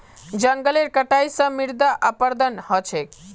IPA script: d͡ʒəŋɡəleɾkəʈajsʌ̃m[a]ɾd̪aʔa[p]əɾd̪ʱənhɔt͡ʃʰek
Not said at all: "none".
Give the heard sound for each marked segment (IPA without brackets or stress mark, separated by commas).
i, p